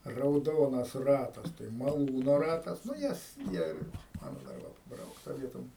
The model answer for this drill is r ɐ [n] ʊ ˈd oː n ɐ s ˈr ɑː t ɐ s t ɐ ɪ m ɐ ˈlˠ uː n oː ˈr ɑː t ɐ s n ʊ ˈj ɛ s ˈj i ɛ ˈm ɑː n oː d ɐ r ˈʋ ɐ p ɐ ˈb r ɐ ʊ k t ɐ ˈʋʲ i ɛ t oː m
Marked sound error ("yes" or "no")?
yes